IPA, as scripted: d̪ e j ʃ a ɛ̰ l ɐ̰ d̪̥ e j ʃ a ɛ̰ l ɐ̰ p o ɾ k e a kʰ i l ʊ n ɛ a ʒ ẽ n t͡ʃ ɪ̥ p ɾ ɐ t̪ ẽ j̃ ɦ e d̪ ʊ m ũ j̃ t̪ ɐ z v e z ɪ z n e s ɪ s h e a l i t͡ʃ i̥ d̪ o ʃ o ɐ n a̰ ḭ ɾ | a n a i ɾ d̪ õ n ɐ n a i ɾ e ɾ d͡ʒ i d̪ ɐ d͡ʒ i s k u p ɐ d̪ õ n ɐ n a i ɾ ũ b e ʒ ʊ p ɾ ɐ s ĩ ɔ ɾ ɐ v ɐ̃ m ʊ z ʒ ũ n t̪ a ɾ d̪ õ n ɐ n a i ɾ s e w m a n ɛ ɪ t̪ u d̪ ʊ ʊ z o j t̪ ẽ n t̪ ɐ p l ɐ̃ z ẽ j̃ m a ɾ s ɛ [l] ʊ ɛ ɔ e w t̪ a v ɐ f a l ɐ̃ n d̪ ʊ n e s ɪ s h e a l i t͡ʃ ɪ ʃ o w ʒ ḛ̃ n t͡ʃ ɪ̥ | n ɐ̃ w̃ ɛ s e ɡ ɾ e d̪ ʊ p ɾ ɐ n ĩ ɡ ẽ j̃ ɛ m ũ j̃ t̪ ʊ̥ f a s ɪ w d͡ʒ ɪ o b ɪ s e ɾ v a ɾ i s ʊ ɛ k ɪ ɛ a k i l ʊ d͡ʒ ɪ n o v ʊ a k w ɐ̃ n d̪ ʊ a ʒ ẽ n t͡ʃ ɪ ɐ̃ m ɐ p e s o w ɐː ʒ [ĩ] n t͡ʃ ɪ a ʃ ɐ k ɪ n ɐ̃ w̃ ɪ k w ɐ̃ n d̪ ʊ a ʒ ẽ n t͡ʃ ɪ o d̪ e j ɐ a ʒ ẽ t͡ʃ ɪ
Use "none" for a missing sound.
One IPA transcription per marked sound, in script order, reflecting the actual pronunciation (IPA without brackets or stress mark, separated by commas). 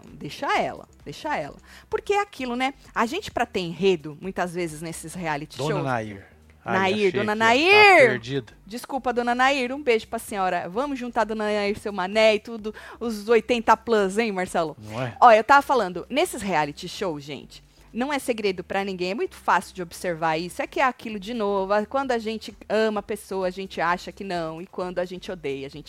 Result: l, ẽ